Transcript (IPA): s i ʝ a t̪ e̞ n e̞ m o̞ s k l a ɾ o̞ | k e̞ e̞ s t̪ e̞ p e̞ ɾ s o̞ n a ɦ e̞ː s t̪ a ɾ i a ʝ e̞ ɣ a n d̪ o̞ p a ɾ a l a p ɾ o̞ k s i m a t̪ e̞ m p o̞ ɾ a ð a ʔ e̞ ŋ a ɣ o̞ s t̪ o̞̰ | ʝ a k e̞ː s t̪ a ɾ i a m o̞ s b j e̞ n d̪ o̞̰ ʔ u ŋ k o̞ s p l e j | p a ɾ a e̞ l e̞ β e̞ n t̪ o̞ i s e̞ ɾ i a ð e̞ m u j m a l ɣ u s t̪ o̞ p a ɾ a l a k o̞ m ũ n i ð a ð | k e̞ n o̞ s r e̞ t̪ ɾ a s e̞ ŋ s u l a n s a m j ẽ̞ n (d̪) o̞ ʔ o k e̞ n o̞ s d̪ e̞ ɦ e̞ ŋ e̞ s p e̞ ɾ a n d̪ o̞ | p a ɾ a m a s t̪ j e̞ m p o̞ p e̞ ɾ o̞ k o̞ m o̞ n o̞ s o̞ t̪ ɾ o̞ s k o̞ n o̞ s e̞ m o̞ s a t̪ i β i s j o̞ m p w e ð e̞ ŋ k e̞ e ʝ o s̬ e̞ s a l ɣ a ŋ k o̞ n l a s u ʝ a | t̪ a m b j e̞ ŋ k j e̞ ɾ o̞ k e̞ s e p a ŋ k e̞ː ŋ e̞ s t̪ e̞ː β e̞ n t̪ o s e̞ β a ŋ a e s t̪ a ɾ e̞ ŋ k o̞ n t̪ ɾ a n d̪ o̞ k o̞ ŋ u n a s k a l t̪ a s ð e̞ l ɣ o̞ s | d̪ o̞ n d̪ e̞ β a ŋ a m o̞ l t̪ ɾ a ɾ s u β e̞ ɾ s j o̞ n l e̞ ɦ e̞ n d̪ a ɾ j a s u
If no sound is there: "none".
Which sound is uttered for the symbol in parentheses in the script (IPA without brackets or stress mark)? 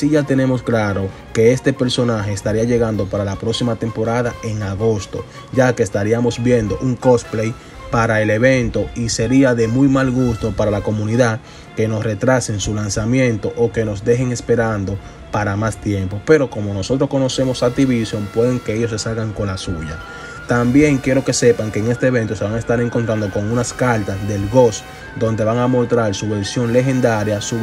t̪